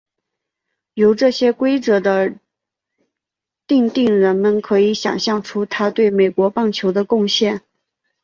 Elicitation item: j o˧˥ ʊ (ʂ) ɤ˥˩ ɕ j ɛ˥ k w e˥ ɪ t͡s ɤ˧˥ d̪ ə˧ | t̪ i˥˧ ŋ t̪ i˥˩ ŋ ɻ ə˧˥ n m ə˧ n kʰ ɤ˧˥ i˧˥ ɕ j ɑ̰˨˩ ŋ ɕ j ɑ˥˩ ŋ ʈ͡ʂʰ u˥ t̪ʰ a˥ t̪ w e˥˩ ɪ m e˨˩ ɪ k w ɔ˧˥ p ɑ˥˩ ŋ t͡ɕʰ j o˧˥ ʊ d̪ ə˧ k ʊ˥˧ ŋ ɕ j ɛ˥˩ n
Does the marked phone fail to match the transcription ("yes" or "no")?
yes